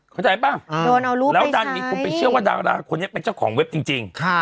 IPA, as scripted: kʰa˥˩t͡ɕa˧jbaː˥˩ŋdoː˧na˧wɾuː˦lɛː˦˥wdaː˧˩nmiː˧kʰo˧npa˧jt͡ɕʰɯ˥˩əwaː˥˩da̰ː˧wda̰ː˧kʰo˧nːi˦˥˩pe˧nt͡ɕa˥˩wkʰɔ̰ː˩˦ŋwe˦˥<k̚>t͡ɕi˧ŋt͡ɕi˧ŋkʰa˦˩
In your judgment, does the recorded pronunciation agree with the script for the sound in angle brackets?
no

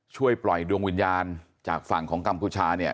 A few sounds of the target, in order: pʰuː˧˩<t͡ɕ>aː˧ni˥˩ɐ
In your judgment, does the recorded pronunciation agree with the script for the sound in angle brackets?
no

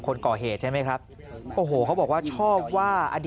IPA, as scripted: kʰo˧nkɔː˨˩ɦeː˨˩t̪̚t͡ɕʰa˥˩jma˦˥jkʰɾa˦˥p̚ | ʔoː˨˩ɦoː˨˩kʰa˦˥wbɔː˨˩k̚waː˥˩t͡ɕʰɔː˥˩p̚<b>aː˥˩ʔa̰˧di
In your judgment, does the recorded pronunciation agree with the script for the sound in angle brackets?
no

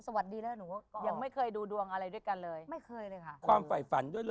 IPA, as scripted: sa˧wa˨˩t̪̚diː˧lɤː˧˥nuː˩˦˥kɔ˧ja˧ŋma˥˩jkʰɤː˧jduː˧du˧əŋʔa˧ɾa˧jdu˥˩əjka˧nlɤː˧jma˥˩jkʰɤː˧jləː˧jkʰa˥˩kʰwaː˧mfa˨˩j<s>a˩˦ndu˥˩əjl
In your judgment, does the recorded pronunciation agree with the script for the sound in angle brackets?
no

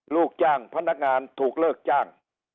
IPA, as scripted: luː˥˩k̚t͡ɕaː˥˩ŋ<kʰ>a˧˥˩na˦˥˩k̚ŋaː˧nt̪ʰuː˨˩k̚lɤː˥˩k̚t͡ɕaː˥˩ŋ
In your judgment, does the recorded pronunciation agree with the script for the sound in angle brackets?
no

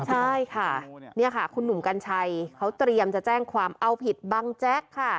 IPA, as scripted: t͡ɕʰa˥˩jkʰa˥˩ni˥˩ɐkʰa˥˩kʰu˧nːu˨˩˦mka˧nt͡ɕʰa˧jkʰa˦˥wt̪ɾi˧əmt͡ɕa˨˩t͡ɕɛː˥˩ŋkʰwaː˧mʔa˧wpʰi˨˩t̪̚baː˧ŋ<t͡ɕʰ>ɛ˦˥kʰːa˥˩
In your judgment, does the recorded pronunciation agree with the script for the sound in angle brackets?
no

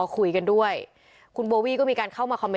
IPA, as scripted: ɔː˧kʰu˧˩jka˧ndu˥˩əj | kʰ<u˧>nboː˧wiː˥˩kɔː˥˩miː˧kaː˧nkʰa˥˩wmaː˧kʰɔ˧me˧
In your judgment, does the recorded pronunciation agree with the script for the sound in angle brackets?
yes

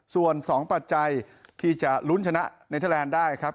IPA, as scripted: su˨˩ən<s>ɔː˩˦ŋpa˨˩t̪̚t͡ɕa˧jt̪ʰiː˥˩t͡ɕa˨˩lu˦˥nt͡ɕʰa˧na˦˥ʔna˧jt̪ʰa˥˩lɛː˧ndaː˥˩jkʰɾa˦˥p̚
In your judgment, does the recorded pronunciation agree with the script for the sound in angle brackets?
yes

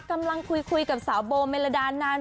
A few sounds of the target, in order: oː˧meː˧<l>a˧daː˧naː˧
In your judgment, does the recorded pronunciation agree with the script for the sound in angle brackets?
yes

